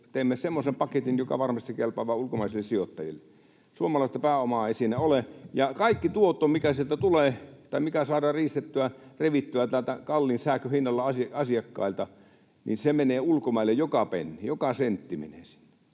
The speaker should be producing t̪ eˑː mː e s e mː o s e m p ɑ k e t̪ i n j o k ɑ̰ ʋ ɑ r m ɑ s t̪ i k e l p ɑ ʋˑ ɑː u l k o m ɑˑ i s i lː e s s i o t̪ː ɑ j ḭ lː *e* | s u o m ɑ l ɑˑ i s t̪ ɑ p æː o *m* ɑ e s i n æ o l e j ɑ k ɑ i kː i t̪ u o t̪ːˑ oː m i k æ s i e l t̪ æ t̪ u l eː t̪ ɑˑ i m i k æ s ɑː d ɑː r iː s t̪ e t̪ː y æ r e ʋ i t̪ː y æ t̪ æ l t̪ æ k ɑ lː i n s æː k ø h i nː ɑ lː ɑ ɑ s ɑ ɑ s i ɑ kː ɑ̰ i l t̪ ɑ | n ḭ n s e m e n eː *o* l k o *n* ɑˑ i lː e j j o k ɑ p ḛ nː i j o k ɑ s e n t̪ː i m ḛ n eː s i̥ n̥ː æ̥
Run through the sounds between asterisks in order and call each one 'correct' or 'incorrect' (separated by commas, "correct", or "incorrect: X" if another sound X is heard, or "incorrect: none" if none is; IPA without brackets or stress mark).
correct, correct, incorrect: u, incorrect: m